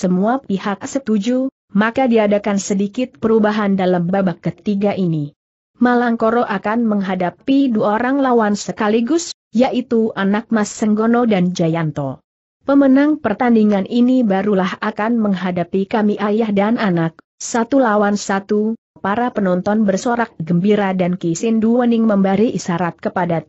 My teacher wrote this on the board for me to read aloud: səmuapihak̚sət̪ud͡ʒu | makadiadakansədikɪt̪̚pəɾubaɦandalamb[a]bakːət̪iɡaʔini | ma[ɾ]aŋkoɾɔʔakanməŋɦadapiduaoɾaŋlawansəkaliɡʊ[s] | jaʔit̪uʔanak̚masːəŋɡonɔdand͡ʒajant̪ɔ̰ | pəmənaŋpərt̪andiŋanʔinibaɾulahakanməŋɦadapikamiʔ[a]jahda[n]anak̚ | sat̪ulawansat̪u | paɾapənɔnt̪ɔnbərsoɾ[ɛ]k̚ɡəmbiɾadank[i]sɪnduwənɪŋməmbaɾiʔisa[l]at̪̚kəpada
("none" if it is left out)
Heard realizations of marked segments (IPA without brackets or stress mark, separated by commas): a, l, s, a, n, a, i, ɾ